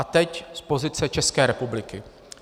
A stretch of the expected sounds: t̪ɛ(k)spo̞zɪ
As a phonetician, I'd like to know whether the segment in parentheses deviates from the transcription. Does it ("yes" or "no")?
yes